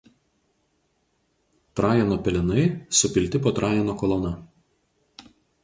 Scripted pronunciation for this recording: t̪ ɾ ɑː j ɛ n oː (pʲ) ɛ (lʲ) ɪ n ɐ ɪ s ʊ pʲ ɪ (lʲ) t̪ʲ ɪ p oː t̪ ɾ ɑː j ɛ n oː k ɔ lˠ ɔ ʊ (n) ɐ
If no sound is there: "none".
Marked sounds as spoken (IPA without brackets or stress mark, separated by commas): pʲ, lʲ, lʲ, n